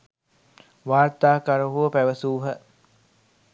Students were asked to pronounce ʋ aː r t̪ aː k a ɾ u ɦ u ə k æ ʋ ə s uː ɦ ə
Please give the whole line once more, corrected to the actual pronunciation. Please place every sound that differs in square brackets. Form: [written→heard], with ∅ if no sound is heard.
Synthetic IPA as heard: ʋ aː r t̪ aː k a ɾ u ɦ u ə [k→p] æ ʋ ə s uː ɦ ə